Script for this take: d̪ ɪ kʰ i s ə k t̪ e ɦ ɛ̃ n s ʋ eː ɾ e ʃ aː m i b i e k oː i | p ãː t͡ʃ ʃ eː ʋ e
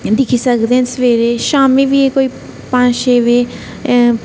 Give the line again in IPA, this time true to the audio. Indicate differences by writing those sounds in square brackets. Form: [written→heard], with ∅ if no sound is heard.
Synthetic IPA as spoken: d̪ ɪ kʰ i s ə k [t̪→d̪] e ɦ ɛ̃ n s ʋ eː ɾ e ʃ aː m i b i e k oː i | p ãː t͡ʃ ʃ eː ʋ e